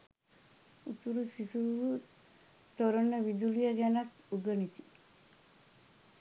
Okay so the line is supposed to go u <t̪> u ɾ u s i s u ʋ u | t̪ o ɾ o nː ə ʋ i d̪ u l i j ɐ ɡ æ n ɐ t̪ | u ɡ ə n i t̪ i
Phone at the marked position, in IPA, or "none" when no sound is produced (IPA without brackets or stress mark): t̪